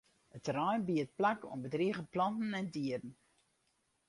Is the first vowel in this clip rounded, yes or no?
no